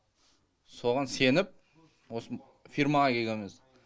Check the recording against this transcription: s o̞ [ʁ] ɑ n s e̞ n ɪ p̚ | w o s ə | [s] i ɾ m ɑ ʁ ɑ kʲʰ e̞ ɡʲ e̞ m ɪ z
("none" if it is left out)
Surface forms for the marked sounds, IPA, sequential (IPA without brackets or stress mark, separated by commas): ʁ, f